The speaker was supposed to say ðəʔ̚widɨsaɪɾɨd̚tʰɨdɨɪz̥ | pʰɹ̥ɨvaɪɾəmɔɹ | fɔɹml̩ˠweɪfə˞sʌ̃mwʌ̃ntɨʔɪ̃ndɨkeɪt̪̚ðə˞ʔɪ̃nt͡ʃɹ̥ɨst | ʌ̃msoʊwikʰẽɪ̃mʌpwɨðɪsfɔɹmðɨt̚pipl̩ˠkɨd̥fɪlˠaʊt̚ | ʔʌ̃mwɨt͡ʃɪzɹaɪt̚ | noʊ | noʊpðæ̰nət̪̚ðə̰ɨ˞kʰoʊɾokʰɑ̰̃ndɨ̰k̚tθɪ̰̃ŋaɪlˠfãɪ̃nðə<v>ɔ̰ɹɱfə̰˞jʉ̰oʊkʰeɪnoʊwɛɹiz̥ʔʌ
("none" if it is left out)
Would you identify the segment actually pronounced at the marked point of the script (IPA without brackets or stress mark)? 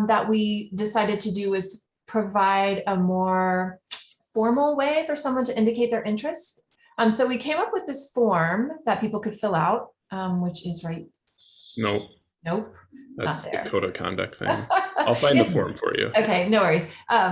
f